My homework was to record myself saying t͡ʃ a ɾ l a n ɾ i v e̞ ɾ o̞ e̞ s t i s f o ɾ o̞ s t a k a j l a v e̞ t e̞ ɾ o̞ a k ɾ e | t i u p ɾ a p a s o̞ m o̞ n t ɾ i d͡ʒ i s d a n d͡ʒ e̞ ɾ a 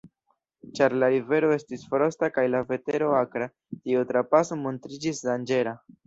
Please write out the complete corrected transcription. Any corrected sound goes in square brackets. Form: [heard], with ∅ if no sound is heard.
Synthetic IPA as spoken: t͡ʃ a ɾ l a [∅] ɾ i v e̞ ɾ o̞ e̞ s t i s f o ɾ o̞ s t a k a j l a v e̞ t e̞ ɾ o̞ a k ɾ [a] | t i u [t] ɾ a p a s o̞ m o̞ n t ɾ i d͡ʒ i s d a n d͡ʒ e̞ ɾ a